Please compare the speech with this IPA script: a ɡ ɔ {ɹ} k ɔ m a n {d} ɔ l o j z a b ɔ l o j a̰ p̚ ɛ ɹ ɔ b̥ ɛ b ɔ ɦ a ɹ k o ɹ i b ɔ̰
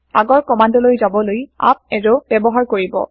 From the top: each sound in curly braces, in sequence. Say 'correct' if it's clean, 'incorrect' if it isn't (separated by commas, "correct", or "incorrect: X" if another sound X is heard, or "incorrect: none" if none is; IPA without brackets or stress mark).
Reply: correct, correct